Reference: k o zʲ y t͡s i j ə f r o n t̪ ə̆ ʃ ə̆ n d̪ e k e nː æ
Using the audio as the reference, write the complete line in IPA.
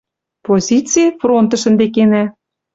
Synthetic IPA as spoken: p o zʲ i t͡s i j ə f r o n t̪ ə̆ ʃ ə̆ n d̪ e k e n æ